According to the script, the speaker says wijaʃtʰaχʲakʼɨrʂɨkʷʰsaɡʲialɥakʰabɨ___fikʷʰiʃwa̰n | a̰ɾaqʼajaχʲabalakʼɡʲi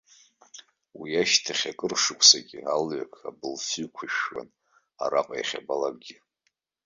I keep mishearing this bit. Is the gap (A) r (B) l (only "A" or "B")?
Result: B